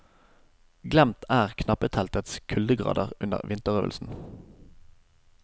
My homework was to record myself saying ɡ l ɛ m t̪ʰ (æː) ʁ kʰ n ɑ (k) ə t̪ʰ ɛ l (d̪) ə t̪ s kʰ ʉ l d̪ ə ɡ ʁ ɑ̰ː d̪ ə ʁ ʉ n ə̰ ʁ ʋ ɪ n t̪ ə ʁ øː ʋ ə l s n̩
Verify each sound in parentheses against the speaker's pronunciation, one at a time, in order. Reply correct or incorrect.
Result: correct, incorrect, incorrect

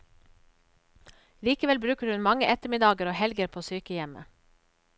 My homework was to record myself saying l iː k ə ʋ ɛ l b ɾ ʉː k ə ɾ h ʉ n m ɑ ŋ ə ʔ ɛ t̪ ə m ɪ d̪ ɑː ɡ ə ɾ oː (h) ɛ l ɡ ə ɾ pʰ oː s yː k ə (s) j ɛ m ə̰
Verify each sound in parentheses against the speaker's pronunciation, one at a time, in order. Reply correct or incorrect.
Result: correct, incorrect

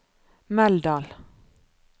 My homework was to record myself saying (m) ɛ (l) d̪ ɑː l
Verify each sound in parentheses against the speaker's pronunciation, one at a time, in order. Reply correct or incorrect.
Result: correct, correct

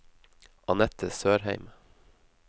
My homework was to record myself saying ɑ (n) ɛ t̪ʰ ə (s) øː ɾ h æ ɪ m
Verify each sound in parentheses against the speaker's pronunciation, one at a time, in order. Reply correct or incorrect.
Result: correct, correct

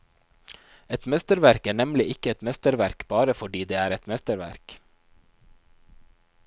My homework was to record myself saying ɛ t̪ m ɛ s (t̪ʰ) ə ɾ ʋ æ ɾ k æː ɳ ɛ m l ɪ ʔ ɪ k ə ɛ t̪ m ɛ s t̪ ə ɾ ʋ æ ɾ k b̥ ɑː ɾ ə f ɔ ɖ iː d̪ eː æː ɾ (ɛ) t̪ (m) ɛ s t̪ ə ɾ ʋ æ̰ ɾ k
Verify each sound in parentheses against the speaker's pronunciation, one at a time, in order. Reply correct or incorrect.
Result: incorrect, correct, correct

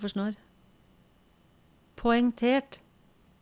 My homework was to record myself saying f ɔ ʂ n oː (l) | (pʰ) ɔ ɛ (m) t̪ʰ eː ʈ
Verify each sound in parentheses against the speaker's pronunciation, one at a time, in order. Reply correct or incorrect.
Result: incorrect, correct, incorrect

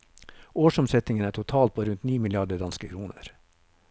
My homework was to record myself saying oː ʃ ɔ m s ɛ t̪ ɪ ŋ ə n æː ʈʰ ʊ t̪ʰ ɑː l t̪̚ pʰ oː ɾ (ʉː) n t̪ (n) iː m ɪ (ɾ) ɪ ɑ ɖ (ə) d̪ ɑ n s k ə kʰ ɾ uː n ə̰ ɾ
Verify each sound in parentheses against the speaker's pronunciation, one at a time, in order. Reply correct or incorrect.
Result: incorrect, correct, incorrect, correct

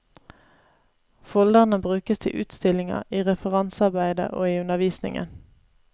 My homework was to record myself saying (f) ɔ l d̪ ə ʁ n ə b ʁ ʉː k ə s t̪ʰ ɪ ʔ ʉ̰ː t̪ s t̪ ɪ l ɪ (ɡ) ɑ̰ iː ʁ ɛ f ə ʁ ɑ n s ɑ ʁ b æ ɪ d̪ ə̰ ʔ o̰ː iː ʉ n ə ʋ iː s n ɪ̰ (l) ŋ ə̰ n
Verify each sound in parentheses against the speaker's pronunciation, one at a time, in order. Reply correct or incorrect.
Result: correct, incorrect, incorrect

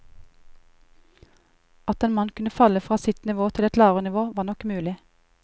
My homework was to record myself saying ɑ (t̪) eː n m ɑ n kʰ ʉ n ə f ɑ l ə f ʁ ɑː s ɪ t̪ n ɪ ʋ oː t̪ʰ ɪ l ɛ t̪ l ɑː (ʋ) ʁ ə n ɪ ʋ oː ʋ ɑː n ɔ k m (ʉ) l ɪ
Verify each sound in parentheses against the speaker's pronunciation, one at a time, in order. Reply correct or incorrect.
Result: correct, correct, incorrect

